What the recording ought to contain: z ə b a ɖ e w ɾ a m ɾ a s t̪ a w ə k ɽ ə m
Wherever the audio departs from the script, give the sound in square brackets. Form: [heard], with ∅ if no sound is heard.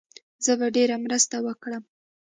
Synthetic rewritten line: z ə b a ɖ e [∅] ɾ a m ɾ [ə] s t̪ a w ə k ɽ ə m